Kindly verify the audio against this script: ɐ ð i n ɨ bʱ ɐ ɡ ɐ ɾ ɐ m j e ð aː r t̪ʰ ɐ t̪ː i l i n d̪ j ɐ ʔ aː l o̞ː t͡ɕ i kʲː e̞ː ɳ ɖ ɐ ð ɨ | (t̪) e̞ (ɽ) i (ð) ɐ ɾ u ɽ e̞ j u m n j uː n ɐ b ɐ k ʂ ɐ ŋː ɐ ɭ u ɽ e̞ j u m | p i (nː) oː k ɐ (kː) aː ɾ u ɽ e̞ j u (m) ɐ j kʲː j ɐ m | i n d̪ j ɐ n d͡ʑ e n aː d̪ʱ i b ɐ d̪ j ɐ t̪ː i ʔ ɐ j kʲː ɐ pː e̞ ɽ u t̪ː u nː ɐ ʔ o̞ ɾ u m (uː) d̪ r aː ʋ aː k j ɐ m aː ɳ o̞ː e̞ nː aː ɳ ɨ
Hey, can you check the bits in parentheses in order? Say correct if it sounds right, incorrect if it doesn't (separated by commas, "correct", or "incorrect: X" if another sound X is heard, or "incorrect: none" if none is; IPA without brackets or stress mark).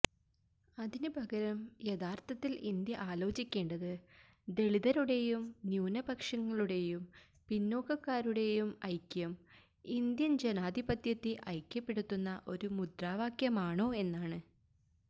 incorrect: d̪, incorrect: ɭ, correct, correct, correct, correct, incorrect: u